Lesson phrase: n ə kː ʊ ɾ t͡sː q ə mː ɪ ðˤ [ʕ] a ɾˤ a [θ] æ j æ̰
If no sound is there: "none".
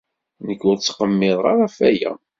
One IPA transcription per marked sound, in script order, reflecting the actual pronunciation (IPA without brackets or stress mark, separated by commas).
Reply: ʁ, f